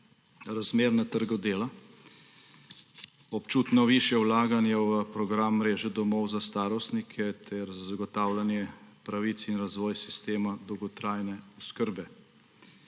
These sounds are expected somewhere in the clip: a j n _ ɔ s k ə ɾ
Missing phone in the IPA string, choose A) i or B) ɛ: B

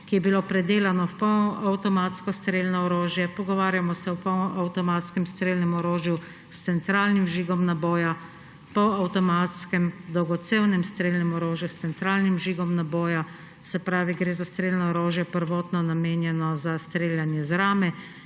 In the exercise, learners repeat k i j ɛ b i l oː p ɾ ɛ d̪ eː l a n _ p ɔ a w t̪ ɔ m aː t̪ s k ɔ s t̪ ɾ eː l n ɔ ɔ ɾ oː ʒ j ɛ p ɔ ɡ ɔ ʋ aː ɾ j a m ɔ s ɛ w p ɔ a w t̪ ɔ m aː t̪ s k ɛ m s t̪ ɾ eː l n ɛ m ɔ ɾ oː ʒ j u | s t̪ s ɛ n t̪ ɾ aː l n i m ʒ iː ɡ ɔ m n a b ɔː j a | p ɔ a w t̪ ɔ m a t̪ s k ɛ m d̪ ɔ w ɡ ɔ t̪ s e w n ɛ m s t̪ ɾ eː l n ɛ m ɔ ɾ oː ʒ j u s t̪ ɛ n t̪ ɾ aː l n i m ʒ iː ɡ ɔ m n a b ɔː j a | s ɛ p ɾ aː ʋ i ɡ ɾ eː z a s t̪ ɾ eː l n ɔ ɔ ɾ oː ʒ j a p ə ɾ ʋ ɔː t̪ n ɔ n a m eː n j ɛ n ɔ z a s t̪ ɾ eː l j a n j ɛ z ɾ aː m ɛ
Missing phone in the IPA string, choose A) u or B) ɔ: B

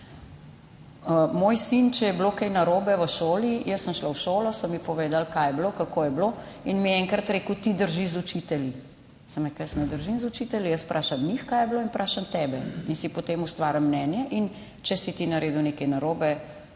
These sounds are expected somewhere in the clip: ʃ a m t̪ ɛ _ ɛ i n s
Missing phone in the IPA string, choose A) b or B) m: A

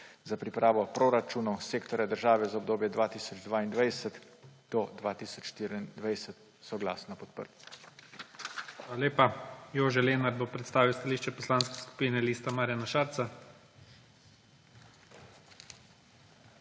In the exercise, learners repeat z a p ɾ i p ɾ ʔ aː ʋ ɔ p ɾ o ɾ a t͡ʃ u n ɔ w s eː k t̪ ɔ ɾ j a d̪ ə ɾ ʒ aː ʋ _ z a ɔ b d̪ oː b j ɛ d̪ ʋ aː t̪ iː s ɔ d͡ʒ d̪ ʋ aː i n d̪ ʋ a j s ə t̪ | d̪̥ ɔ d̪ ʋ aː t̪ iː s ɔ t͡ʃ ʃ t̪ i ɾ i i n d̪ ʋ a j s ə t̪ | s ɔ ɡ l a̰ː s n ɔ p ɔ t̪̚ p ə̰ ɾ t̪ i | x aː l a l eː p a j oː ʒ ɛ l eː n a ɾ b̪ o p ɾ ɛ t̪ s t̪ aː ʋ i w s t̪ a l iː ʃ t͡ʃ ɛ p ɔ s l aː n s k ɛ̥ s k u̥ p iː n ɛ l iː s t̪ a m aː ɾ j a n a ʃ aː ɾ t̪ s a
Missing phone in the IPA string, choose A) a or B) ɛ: B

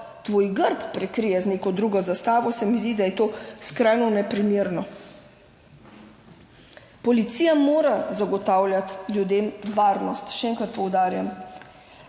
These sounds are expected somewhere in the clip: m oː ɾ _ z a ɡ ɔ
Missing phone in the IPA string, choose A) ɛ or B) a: B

